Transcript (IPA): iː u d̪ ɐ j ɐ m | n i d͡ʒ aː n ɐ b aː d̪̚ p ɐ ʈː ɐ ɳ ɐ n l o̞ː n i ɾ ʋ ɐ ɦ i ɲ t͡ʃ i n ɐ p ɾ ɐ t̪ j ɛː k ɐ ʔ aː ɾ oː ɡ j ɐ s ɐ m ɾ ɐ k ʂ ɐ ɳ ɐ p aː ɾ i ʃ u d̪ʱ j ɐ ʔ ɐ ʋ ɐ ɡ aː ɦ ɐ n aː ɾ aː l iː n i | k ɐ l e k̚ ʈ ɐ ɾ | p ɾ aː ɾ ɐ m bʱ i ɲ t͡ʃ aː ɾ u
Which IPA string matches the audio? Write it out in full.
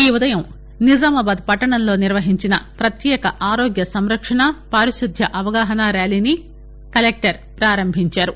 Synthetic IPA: iː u d̪ ɐ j ɐ m | n i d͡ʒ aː m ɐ b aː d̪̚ p ɐ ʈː ɐ ɳ ɐ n l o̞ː n i ɾ ʋ ɐ ɦ i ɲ t͡ʃ i n ɐ p ɾ ɐ t̪ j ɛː k ɐ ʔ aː ɾ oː ɡ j ɐ s ɐ m ɾ ɐ k ʂ ɐ ɳ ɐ p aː ɾ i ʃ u d̪ʱ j ɐ ʔ ɐ ʋ ɐ ɡ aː ɦ ɐ n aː ɾ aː l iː n i | k ɐ l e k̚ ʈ ɐ ɾ | p ɾ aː ɾ ɐ m bʱ i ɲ t͡ʃ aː ɾ u